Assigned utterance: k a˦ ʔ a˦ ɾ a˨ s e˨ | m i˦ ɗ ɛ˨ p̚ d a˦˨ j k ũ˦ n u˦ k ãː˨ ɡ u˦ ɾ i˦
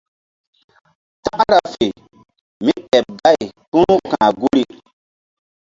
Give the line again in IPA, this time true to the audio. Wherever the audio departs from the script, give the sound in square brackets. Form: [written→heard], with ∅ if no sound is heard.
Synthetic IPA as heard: [k→t] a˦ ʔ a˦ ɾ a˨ [s→f] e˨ | m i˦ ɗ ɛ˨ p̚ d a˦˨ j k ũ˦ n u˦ k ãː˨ ɡ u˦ ɾ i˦

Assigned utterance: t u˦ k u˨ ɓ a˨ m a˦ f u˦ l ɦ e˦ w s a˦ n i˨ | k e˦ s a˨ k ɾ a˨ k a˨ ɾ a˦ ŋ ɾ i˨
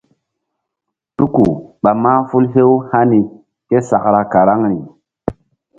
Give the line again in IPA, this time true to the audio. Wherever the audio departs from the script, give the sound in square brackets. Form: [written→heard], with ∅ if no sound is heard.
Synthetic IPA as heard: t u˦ k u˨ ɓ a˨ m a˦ f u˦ l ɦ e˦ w [s→h] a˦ n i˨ | k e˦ s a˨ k ɾ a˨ k a˨ ɾ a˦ ŋ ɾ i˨

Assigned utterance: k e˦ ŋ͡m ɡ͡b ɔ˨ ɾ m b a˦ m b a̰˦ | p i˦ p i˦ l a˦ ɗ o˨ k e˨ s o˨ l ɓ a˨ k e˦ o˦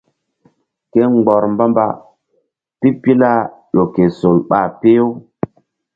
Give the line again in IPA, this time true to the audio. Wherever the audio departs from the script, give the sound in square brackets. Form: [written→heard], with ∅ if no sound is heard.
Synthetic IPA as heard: k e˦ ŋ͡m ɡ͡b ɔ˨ ɾ m b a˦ m b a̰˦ | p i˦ p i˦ l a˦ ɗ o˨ k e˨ s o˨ l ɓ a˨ [k→p] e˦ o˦

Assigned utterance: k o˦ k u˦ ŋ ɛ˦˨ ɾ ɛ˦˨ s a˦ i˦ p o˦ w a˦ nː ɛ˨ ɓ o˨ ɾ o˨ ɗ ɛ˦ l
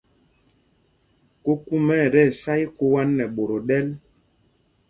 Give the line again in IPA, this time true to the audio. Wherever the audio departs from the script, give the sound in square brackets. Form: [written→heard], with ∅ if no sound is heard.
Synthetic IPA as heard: k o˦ k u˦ [ŋ→m] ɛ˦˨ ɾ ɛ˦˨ s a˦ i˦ [p→k] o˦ w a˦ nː ɛ˨ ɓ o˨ ɾ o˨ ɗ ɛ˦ l

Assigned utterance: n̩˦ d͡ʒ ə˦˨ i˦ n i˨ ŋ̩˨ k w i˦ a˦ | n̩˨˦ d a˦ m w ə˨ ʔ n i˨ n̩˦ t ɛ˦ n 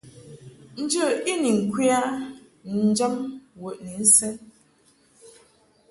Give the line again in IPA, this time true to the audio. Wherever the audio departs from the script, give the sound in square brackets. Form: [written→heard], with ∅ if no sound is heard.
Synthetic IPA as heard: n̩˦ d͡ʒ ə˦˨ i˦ n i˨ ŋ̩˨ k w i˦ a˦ | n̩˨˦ [d→d͡ʒ] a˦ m w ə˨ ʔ n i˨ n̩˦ [t→s] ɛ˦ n

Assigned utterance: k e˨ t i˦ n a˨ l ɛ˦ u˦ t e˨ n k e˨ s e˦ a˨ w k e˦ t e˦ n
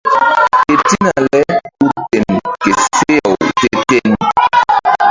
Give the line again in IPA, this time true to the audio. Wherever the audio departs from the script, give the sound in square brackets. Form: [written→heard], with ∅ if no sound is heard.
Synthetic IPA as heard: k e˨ t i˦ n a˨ l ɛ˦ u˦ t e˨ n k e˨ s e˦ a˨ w [k→t] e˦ t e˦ n

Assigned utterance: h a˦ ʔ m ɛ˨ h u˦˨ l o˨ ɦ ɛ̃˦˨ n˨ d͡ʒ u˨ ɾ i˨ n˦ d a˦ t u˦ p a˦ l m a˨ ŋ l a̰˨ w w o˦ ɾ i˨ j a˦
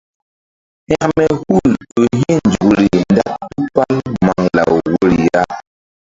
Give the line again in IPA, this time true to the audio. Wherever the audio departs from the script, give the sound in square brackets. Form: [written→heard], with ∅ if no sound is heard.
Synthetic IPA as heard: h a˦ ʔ m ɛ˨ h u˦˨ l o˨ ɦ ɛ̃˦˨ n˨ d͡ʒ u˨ ɾ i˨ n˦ d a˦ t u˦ p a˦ l m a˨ ŋ l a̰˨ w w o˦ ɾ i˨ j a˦

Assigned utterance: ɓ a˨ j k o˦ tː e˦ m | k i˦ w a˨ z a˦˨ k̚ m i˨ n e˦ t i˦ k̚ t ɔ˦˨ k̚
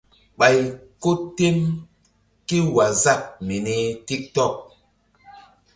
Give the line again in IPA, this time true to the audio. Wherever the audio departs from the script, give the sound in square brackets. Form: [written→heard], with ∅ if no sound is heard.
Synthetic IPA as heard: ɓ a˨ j k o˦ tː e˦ m | k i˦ w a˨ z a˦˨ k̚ m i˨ n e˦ t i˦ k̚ t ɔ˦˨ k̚

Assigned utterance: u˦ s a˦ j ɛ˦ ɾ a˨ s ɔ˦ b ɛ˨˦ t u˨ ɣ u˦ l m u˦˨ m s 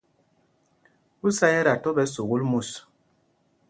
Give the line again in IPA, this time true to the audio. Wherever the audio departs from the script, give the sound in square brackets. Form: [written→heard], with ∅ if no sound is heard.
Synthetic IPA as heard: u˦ s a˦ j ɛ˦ ɾ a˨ [s→t] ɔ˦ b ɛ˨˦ [t→s] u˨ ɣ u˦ l m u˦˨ [m→∅] s

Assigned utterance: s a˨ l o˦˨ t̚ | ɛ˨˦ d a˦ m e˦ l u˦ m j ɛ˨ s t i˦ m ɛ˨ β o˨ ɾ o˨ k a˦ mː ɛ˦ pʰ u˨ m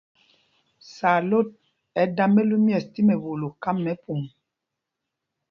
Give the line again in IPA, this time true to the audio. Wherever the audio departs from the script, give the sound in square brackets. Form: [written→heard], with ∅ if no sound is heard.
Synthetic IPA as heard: s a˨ l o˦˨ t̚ | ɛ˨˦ d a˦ m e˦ l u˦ m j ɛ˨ s t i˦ m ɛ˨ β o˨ [ɾ→l] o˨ k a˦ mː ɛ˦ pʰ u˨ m

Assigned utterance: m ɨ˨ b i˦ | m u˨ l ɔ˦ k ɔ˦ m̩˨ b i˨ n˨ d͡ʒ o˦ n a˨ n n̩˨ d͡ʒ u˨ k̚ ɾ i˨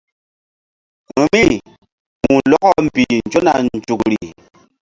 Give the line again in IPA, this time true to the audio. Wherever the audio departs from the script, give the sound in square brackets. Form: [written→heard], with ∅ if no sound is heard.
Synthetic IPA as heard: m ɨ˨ [b→m] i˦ | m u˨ l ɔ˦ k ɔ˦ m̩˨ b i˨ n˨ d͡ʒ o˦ n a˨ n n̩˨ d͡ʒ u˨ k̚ ɾ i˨

